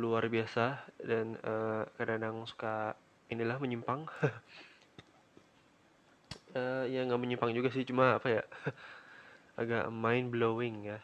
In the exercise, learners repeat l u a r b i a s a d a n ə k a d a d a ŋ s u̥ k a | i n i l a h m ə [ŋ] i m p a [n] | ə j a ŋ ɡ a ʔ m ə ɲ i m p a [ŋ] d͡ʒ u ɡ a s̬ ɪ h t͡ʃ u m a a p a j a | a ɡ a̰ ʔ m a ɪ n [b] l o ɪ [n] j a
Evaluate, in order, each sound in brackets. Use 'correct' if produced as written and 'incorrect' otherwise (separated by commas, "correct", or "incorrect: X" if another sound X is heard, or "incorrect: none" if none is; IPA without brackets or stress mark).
incorrect: ɲ, incorrect: ŋ, correct, correct, incorrect: ŋ